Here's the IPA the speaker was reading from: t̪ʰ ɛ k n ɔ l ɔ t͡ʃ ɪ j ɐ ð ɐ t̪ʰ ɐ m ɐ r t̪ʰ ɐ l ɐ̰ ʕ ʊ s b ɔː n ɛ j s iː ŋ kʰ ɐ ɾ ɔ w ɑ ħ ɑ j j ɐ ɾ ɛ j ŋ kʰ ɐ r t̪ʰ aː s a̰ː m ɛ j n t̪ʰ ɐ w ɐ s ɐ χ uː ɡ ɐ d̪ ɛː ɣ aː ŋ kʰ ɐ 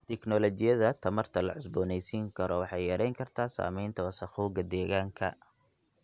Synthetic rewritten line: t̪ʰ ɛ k n ɔ l ɔ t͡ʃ ɪ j ɐ ð ɐ t̪ʰ ɐ m ɐ r t̪ʰ ɐ l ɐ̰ ʕ ʊ s b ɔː n ɛ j s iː ŋ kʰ ɐ ɾ ɔ w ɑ ħ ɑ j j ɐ ɾ ɛ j ŋ kʰ ɐ r t̪ʰ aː s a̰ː m ɛ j n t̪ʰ ɐ w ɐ s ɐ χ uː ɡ ɐ d̪ ɛː ɣ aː ŋ kʰ ɐ